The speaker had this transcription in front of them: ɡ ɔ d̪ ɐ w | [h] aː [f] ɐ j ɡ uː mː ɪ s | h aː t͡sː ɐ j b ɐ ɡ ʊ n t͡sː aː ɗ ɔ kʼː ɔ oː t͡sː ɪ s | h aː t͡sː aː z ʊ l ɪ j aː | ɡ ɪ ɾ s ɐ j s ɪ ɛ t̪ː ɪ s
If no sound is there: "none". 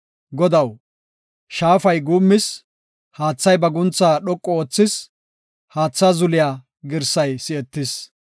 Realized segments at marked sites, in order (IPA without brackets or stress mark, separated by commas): ʃ, f